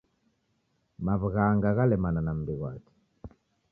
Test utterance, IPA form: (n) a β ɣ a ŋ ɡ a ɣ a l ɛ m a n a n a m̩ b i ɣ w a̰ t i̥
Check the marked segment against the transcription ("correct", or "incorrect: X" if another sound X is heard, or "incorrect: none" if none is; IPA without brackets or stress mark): incorrect: m